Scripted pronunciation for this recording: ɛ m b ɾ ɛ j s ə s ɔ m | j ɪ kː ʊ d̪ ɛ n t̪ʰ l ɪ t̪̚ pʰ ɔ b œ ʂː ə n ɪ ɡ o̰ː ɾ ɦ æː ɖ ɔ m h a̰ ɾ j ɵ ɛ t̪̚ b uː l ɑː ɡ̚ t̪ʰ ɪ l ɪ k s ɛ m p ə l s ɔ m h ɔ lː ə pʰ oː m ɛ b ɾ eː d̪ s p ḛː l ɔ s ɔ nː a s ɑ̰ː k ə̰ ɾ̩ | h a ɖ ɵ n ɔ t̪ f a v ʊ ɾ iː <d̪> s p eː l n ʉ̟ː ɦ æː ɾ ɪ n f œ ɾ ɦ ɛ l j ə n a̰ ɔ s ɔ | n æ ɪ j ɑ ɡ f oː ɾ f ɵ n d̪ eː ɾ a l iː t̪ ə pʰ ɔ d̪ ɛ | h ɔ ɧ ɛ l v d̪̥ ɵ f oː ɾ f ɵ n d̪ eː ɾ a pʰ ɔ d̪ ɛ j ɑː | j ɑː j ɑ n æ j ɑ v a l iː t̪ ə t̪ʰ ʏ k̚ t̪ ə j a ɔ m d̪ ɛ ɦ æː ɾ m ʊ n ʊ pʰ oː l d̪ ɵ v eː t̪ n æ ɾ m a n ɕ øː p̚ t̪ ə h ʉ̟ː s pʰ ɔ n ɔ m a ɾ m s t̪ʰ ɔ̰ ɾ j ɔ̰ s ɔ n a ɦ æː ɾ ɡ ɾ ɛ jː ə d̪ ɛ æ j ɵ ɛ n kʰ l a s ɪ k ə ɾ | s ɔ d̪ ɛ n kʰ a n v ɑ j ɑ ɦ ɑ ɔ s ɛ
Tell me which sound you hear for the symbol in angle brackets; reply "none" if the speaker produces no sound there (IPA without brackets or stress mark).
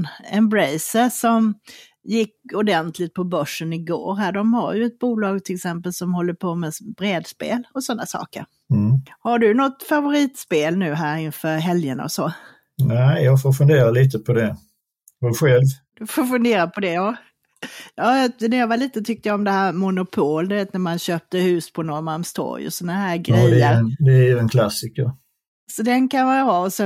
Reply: t̪